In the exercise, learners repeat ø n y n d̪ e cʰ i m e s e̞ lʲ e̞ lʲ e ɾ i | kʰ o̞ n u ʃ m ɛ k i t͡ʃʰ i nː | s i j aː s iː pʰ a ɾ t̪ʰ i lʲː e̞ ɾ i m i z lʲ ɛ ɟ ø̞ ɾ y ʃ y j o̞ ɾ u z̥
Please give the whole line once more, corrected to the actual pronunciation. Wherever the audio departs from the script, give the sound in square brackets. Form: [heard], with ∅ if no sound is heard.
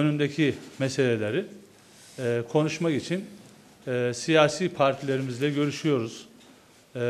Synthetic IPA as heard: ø n y n d̪ e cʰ i m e s e̞ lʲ e̞ lʲ e ɾ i | kʰ o̞ n u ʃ m [a] k i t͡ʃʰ i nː | s i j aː s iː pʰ a ɾ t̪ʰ i [lʲ] e̞ ɾ i m i z lʲ ɛ ɟ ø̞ ɾ y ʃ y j o̞ ɾ u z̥